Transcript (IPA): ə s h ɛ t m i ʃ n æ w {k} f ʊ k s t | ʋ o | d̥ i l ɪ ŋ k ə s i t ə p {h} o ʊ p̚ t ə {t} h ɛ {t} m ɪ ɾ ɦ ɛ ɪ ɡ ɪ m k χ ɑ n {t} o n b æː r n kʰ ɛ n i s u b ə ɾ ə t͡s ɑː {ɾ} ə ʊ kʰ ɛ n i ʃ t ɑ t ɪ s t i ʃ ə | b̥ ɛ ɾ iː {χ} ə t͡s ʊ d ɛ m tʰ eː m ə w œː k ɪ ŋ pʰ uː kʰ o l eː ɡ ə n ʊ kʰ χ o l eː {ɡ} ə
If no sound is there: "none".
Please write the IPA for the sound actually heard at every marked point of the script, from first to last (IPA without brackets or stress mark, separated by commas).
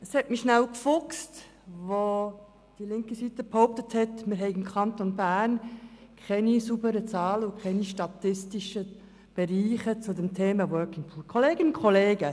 k, h, t, t, t, l, χ, ɡ